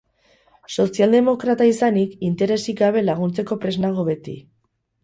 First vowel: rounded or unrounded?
rounded